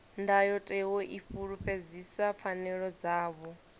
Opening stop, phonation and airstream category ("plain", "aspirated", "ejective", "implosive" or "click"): plain